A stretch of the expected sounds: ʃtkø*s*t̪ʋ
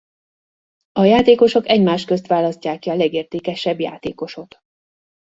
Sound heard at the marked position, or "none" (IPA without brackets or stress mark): s